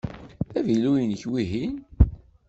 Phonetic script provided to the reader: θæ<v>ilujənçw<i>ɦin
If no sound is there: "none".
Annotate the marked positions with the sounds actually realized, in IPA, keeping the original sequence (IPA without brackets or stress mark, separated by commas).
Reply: v, i